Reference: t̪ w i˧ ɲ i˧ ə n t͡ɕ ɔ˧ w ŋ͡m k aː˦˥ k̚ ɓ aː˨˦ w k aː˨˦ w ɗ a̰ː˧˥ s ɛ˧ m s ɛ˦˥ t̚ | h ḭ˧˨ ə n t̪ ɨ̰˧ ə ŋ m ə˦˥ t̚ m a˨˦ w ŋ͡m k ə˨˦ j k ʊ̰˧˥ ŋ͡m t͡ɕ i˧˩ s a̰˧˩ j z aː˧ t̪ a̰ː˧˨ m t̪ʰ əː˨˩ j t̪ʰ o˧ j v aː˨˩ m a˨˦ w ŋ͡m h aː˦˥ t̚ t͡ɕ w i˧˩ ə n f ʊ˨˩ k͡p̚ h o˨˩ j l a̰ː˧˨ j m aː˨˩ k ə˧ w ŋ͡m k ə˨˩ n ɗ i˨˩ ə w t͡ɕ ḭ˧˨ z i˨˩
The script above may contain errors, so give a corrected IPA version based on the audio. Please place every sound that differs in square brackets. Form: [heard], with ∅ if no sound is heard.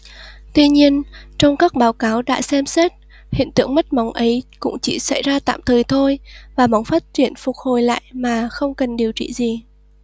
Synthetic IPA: t̪ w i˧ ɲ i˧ ə n t͡ɕ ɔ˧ w ŋ͡m k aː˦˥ k̚ ɓ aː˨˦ w k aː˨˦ w ɗ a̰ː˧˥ s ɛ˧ m s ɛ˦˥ t̚ | h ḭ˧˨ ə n t̪ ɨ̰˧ ə ŋ m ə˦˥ t̚ m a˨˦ w ŋ͡m [ʔ] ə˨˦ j k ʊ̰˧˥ ŋ͡m t͡ɕ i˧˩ s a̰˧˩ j z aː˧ t̪ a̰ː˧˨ m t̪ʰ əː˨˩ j t̪ʰ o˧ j v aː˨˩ m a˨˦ w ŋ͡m [f] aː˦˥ t̚ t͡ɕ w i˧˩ ə n f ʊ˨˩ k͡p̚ h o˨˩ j l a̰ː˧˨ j m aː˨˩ [x] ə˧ w ŋ͡m k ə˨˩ n ɗ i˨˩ ə w t͡ɕ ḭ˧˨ z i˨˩